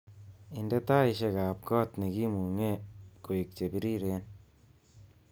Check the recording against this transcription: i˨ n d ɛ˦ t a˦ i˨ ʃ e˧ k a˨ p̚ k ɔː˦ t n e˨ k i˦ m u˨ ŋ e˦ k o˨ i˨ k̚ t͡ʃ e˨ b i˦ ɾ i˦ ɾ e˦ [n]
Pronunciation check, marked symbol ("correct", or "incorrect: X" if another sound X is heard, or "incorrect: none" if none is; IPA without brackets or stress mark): correct